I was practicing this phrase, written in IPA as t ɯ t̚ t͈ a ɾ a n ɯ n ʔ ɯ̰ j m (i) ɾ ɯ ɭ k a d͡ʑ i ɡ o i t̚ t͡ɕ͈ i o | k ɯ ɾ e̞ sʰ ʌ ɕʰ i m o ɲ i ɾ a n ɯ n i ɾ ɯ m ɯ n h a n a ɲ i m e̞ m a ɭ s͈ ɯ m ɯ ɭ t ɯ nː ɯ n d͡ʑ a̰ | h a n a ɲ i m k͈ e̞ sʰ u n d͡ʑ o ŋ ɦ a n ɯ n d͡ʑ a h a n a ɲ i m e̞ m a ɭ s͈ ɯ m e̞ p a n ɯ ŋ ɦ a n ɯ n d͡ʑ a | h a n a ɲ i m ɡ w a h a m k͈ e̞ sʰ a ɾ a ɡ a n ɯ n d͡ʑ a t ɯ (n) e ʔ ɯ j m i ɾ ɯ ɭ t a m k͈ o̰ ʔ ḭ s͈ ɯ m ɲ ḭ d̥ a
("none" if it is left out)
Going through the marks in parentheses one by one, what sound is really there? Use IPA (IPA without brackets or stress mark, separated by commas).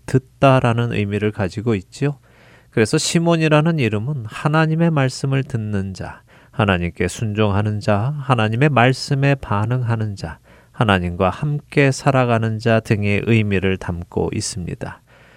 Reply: i, ŋ